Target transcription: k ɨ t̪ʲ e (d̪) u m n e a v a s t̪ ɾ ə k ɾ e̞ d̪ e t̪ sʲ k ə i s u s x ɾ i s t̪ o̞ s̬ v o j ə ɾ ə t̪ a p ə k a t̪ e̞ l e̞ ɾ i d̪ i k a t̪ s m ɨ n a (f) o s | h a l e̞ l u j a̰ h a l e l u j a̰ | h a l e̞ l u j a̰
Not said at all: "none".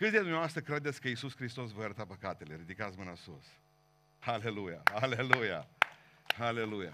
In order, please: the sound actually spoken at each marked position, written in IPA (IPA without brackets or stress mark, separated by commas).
d̪, s